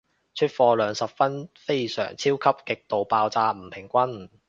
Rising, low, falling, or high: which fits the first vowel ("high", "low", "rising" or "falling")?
high